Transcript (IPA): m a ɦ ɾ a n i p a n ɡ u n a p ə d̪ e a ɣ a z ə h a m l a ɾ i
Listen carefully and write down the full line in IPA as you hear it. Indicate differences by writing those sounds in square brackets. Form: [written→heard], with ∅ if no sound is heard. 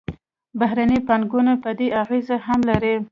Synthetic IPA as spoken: [m→b] a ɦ ɾ a n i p a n ɡ u n a p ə d̪ e a ɣ [a→e] z [ə→a] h a m l a ɾ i